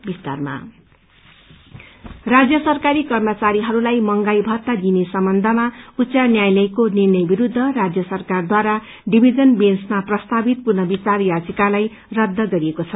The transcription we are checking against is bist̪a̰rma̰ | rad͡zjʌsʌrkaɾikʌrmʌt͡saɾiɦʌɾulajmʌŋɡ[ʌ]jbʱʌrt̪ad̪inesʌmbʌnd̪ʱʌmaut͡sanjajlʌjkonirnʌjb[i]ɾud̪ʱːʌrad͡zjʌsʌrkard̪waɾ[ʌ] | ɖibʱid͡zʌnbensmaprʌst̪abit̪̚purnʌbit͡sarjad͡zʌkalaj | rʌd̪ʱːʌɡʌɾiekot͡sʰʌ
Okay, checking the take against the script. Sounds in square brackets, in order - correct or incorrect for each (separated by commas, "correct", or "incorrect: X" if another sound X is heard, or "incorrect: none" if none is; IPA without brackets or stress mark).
incorrect: a, correct, incorrect: a